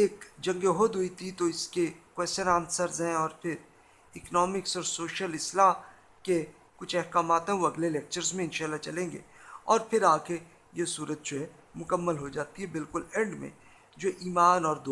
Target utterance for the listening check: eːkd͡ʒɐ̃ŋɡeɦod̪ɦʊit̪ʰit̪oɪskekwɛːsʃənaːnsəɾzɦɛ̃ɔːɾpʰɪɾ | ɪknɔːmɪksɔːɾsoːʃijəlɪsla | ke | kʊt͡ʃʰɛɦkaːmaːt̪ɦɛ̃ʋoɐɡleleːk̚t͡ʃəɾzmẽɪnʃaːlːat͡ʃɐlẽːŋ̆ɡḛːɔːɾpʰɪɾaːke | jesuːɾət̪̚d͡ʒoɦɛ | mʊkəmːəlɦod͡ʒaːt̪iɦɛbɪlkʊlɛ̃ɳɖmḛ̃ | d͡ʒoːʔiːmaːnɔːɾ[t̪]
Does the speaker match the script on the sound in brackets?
no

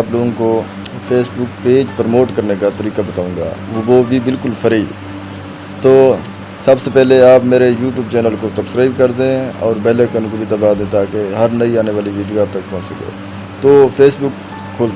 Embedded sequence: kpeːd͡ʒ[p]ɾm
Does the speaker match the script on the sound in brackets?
yes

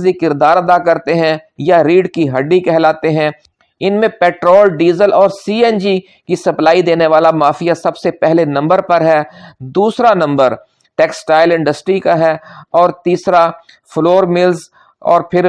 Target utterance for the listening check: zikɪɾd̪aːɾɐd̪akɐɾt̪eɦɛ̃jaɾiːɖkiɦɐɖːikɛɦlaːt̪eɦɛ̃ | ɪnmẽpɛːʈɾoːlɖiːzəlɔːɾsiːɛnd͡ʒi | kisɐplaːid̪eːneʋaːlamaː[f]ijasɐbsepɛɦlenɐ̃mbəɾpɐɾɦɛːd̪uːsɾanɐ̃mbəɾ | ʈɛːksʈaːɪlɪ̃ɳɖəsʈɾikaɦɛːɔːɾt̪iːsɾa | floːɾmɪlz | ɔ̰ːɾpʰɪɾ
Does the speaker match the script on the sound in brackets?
yes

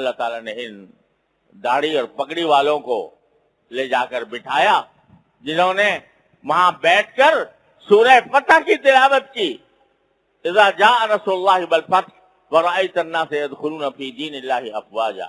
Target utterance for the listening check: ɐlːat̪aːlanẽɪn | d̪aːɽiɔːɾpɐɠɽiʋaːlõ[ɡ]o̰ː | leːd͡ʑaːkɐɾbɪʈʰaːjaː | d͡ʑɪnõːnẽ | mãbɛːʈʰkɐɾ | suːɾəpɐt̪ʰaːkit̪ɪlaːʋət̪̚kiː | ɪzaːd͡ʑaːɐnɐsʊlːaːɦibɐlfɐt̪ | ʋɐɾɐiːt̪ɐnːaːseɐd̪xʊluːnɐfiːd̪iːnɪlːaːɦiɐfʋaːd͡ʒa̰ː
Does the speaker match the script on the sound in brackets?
no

